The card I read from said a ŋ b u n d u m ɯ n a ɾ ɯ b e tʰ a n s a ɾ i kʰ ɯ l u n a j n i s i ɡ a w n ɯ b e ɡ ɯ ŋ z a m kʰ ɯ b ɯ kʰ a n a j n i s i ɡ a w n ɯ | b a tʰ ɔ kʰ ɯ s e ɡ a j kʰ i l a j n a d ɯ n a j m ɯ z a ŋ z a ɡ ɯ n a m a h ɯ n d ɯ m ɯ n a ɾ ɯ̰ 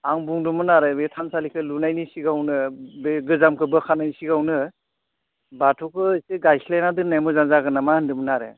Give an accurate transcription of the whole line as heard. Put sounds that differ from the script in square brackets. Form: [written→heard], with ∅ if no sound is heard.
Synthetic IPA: a ŋ b u [n→ŋ] d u m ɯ n a ɾ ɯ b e tʰ a n s a [ɾ→l] i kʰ ɯ l u n a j n i s i ɡ a w n ɯ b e ɡ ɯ [ŋ→∅] z a m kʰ ɯ b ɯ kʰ a n a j n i s i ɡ a w n ɯ | b a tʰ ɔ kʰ ɯ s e ɡ a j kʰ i l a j n a d ɯ n a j m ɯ z a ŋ z a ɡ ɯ n a m a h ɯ n d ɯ m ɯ n a ɾ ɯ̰